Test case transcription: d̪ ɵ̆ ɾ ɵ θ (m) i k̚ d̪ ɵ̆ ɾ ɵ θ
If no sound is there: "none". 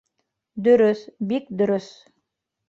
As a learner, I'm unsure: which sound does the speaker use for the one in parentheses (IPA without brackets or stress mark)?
b